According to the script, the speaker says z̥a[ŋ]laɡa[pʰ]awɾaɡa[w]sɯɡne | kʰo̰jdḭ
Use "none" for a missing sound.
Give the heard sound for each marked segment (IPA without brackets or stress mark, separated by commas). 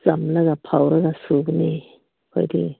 m, pʰ, none